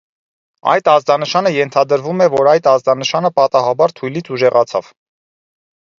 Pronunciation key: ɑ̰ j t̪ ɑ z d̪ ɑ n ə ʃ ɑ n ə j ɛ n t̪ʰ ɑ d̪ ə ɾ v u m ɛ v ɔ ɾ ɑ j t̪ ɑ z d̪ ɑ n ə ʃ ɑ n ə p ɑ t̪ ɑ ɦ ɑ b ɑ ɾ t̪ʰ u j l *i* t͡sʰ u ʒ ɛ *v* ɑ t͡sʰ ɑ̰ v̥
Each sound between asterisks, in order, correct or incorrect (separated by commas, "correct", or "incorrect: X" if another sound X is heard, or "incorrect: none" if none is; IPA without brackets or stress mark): correct, incorrect: ʁ